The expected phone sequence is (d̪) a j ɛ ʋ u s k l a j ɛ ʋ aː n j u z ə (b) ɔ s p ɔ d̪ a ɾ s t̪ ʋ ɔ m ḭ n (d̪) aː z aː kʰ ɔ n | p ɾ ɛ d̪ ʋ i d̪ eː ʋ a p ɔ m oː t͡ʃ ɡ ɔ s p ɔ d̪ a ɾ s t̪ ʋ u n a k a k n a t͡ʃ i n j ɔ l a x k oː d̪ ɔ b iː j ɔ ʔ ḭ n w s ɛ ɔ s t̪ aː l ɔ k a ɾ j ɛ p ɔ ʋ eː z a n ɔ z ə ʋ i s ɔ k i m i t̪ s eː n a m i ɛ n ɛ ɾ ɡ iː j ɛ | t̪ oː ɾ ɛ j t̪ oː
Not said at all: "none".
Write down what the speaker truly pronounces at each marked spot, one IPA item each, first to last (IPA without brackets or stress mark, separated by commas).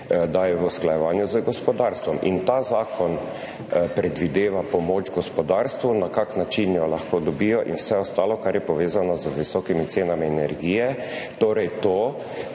d̪, ɡ, t̪